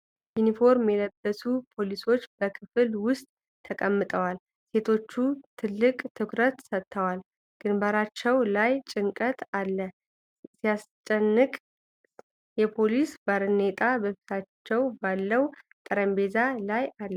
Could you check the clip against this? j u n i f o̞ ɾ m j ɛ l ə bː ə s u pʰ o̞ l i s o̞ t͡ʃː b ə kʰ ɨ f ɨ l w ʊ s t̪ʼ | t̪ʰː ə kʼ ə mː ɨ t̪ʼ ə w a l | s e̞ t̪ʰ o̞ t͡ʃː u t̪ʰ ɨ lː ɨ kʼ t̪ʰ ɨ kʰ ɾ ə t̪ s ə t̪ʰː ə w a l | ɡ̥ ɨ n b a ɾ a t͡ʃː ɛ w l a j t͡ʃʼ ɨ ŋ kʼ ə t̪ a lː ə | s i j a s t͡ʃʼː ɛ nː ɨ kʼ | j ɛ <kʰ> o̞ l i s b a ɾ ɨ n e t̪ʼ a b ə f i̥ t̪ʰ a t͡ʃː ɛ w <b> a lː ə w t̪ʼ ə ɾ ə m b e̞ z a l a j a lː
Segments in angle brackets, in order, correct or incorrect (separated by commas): incorrect, correct